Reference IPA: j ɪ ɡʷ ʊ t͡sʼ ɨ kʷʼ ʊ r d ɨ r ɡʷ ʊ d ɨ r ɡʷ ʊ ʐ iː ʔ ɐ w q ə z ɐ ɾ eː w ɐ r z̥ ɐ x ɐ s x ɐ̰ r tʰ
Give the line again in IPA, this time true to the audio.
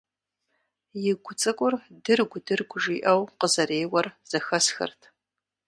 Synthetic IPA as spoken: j ɪ ɡʷ ʊ t͡sʼ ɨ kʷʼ ʊ r d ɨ r ɡʷ ʊ d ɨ r ɡʷ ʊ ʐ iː ʔ ɐ w q ə z ɐ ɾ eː w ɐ r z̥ ɐ x ɐ s x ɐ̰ r tʰ